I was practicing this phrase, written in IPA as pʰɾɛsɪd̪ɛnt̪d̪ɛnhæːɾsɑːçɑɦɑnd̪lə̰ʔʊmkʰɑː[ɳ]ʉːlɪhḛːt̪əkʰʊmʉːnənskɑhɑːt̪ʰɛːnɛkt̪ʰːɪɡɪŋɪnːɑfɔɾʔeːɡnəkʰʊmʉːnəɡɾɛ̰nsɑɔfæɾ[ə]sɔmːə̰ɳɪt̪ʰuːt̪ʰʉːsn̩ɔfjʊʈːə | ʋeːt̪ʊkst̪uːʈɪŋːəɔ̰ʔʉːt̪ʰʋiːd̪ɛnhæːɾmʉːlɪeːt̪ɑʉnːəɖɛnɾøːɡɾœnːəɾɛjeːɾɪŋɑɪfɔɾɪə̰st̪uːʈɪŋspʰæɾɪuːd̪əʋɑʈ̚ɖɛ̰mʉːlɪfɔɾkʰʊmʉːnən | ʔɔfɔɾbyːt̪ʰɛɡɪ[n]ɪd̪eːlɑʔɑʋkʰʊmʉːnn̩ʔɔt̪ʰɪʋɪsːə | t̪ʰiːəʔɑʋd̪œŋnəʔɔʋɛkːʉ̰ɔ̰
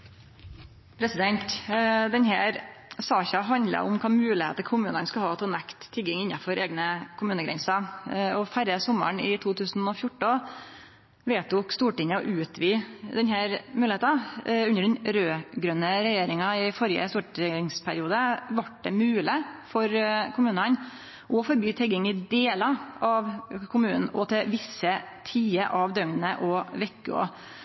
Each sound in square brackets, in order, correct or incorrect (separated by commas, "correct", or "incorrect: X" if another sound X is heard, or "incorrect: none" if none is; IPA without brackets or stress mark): incorrect: m, correct, incorrect: ŋ